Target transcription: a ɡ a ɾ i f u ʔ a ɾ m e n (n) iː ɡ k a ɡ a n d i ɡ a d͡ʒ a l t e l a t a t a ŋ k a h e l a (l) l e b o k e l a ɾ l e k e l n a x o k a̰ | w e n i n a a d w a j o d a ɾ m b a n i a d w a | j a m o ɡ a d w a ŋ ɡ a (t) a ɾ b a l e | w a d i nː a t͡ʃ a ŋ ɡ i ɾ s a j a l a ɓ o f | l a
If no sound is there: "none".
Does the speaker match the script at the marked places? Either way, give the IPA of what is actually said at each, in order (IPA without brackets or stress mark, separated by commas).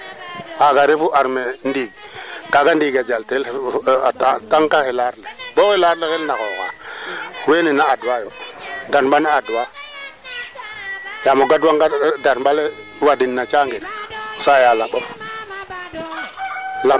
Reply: d, ɾ, d